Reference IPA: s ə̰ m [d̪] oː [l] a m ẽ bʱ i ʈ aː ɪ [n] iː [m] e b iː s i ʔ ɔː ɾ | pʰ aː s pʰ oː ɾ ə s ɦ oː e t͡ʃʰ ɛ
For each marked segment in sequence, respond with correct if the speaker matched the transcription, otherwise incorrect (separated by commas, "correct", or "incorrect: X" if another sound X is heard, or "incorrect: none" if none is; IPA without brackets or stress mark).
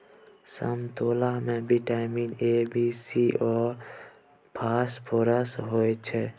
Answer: incorrect: t̪, correct, incorrect: m, incorrect: n